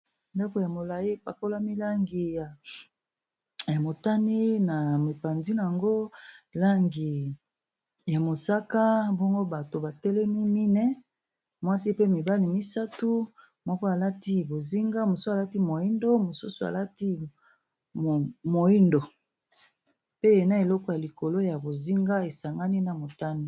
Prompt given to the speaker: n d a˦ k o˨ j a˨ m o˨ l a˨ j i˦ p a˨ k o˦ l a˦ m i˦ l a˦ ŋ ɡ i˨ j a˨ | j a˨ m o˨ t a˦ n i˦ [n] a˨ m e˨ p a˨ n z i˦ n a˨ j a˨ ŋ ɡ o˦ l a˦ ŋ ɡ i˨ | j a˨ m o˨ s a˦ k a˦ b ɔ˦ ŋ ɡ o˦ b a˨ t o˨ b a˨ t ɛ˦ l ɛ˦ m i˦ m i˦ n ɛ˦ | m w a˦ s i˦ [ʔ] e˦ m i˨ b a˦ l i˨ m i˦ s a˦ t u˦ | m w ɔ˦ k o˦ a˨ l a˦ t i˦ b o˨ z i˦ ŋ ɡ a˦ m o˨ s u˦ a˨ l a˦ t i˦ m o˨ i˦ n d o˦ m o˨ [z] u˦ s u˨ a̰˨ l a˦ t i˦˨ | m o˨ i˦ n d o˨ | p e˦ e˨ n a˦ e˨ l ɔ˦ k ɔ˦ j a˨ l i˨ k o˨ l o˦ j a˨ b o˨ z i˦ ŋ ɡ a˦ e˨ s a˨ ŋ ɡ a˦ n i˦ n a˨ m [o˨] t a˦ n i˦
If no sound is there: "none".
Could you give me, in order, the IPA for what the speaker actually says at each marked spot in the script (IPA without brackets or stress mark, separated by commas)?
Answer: n, p, s, o˨